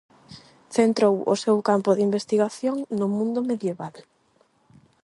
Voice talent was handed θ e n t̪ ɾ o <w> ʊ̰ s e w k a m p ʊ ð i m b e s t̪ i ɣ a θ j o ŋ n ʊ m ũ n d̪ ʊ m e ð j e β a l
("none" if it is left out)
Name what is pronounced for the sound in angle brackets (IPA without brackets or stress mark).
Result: w